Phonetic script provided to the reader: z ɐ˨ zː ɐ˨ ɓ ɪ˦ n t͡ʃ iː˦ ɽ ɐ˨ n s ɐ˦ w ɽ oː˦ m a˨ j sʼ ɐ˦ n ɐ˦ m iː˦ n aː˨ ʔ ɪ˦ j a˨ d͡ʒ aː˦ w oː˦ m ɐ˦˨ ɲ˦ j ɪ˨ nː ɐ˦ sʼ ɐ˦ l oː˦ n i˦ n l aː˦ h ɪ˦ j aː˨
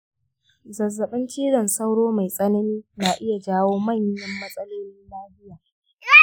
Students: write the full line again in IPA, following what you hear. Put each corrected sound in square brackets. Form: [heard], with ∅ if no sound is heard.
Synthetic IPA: z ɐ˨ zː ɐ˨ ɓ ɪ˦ n t͡ʃ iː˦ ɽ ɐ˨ n s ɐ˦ w ɽ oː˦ m a˨ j sʼ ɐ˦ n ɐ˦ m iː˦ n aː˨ ʔ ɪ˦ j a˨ d͡ʒ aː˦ w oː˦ m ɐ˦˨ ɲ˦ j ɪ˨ [mː] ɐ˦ sʼ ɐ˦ l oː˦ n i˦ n l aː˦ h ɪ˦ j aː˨